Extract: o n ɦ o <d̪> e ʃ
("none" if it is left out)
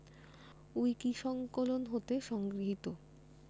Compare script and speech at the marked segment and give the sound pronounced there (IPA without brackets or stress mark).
t̪